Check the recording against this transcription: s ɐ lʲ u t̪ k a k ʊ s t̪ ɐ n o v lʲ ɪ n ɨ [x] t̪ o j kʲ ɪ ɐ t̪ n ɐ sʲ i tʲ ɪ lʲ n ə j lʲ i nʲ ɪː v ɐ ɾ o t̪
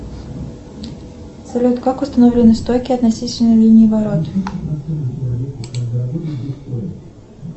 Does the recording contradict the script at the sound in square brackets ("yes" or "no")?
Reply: yes